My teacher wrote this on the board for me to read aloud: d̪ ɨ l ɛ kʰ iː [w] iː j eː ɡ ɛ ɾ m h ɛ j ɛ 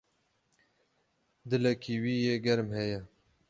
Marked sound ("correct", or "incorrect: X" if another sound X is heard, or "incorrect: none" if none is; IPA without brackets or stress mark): correct